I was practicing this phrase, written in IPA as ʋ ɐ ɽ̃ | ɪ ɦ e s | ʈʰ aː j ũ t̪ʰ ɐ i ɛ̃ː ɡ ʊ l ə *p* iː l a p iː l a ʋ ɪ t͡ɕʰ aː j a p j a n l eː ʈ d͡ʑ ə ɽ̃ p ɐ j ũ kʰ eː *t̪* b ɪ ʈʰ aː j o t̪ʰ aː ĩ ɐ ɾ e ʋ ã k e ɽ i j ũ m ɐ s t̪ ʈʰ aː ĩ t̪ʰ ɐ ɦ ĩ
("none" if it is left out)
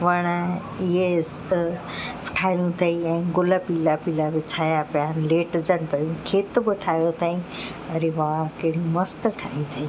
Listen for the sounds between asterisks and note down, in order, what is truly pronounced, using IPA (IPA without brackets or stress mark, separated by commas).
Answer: p, t̪